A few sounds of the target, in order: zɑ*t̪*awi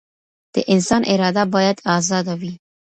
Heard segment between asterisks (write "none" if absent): d̪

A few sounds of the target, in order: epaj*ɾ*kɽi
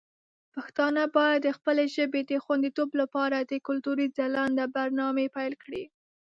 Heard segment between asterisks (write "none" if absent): l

